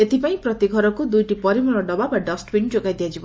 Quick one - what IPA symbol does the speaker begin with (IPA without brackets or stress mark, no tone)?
e